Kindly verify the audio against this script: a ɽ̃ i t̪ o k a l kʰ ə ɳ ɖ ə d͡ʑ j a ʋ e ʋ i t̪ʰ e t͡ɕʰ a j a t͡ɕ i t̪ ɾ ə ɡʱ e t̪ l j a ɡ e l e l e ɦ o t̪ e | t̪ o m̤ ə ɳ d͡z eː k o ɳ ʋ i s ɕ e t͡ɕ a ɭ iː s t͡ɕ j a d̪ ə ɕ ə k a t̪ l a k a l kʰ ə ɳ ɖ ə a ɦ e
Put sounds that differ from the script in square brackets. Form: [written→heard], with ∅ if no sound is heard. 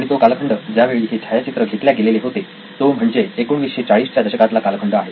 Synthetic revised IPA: a ɽ̃ i t̪ o k a l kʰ ə ɳ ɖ ə d͡ʑ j a ʋ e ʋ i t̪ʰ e t͡ɕʰ a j a t͡ɕ i t̪ ɾ ə ɡʱ e t̪ l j a ɡ e l e l e ɦ o t̪ e | t̪ o m̤ ə ɳ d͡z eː k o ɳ ʋ i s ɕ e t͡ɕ a ɭ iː s t͡ɕ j a d̪ ə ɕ ə k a t̪ l a k a l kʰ ə ɳ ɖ ə a ɦ e